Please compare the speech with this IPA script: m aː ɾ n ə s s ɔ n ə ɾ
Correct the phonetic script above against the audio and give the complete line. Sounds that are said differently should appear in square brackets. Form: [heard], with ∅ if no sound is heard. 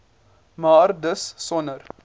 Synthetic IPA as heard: m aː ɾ [d] ə s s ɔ n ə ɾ